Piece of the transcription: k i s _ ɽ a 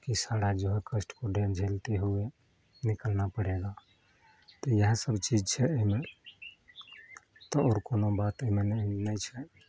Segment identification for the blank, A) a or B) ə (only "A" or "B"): A